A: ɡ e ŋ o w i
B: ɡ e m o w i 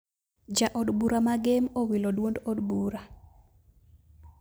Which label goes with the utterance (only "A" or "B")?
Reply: B